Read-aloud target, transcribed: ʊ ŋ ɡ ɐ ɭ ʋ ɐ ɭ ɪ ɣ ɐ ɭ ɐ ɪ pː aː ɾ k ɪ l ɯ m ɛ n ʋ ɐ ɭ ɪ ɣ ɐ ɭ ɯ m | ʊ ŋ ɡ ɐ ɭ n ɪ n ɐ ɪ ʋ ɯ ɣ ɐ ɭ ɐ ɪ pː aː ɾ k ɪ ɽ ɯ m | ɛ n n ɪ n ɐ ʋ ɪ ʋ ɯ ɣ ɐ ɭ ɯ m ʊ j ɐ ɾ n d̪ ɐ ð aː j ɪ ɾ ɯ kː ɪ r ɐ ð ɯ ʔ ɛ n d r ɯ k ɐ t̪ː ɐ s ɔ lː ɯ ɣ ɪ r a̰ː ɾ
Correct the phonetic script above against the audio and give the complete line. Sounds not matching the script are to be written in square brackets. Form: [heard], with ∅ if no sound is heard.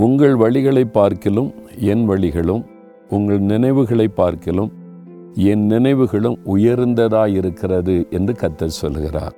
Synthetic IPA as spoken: ʊ ŋ ɡ ɐ ɭ ʋ ɐ ɭ ɪ ɣ ɐ ɭ ɐ ɪ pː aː ɾ k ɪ l ɯ m ɛ n ʋ ɐ ɭ ɪ ɣ ɐ ɭ ɯ m | ʊ ŋ ɡ ɐ ɭ n ɪ n ɐ ɪ ʋ ɯ ɣ ɐ ɭ ɐ ɪ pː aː ɾ k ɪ [l] ɯ m | ɛ n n ɪ n ɐ [∅] ɪ ʋ ɯ ɣ ɐ ɭ ɯ m ʊ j ɐ ɾ n d̪ ɐ ð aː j ɪ ɾ ɯ kː ɪ r ɐ ð ɯ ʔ ɛ n d r ɯ k ɐ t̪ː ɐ s ɔ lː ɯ ɣ ɪ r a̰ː ɾ